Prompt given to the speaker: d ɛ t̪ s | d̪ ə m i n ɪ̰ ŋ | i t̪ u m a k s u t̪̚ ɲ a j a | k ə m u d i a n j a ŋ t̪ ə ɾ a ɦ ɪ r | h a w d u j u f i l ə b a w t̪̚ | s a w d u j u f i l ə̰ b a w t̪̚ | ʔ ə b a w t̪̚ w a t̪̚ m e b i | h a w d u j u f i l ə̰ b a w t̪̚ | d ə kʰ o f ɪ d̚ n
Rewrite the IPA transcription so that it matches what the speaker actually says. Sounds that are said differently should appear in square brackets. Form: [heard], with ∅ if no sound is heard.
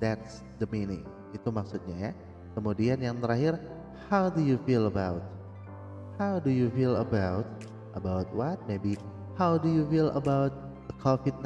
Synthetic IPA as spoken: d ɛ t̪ s | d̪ ə m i n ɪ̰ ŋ | i t̪ u m a k s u t̪̚ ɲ a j a | k ə m u d i a n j a ŋ t̪ ə ɾ a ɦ ɪ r | h a w d u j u f i l ə b a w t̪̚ | [h] a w d u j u f i l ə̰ b a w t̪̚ | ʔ ə b a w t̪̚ w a t̪̚ m e b i | h a w d u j u f i l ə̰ b a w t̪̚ | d ə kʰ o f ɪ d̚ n